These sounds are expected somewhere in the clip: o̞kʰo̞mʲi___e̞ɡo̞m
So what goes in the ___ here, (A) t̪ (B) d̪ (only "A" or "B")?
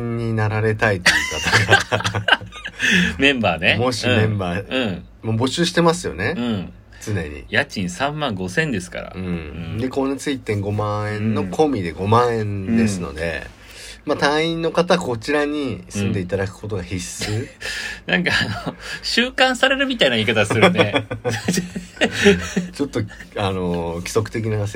B